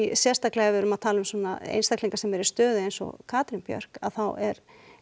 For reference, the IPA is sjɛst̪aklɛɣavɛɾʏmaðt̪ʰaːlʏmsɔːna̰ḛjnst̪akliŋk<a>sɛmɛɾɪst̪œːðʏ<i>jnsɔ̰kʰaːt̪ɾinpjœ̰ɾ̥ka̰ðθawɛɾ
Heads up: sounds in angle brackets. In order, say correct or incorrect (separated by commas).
correct, incorrect